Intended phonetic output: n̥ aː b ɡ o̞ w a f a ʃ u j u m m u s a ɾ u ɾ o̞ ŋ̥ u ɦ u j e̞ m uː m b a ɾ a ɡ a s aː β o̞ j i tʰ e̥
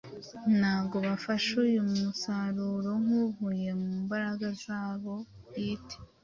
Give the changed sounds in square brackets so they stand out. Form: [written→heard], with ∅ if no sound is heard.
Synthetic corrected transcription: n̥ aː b ɡ o̞ [w→β] a f a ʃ u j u m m u s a ɾ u ɾ o̞ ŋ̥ u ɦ u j e̞ m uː m b a ɾ a ɡ a [s→z] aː β o̞ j i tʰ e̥